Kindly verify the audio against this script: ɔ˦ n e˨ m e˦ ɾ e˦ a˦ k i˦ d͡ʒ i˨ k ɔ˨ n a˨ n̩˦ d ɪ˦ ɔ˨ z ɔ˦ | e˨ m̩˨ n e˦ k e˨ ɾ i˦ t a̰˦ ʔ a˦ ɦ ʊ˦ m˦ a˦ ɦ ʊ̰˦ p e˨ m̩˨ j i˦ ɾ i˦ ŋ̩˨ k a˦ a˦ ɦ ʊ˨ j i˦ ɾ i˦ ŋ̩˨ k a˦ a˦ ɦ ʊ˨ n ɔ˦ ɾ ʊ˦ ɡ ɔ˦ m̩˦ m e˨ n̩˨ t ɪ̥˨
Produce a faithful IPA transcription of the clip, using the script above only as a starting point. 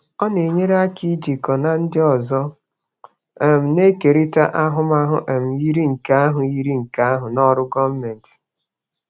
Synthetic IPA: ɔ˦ n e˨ ɲ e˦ ɾ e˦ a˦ k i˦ d͡ʒ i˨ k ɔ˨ n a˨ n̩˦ d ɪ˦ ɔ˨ z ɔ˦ | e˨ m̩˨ n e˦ k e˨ ɾ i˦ t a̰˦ ʔ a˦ ɦ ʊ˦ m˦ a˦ ɦ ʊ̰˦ ʔ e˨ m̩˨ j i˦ ɾ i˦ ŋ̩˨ k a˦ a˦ ɦ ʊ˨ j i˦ ɾ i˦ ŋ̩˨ k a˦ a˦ ɦ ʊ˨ n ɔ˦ ɾ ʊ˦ ɡ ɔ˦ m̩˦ m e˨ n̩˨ t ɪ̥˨